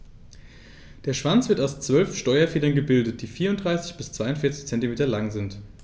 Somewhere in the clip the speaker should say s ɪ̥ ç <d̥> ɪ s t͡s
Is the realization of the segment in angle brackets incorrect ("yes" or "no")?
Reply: yes